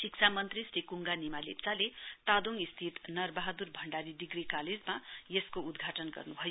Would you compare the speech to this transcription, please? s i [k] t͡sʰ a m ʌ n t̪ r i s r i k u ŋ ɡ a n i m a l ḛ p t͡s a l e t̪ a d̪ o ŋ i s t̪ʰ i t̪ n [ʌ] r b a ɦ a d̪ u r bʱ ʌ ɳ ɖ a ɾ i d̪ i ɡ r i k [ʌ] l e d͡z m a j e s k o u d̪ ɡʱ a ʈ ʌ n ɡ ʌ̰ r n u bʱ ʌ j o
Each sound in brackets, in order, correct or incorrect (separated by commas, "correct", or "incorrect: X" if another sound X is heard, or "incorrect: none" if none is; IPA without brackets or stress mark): correct, correct, incorrect: a